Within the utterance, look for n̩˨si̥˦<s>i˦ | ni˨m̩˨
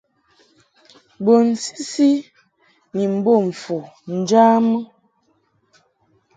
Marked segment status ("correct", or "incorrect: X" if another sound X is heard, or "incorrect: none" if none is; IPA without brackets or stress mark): correct